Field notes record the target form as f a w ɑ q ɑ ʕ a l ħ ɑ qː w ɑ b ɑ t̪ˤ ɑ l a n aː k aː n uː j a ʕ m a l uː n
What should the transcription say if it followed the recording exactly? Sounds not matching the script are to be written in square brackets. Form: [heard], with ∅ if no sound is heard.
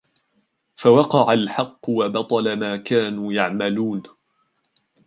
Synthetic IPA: f a w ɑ q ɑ ʕ a l ħ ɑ qː w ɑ b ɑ t̪ˤ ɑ l a [m] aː k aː n uː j a ʕ m a l uː n